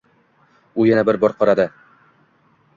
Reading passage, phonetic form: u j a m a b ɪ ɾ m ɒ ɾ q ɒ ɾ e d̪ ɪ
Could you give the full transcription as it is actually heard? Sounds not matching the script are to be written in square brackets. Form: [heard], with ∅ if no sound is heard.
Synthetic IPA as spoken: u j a [n] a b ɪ ɾ [b] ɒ ɾ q ɒ ɾ [a] d̪ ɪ